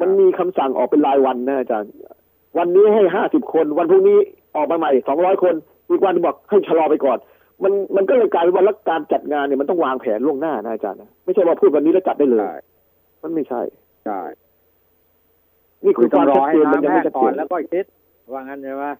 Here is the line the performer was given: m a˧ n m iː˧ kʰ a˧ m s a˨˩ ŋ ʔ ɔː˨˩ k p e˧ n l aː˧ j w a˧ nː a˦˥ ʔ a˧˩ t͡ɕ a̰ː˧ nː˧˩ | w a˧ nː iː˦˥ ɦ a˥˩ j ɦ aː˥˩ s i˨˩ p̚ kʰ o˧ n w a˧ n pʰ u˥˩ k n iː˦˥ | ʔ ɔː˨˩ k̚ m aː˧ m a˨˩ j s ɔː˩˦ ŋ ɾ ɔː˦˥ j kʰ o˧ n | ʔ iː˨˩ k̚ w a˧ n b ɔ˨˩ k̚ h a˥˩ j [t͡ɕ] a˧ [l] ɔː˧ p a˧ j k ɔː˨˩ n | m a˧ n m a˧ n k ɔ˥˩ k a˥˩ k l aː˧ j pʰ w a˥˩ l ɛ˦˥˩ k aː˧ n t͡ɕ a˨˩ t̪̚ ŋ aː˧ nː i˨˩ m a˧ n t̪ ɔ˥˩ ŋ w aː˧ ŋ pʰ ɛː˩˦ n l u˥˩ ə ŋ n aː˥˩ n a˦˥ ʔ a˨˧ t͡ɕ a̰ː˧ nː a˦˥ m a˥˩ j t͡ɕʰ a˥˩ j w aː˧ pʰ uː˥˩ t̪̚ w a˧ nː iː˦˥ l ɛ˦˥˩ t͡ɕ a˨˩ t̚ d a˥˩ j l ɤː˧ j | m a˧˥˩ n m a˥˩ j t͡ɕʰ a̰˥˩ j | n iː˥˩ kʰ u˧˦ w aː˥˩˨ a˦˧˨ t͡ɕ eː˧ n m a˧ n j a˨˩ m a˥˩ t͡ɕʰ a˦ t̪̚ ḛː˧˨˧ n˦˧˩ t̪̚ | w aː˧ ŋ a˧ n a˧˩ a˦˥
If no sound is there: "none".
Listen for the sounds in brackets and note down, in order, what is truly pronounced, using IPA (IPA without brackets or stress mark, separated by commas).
t͡ɕʰ, l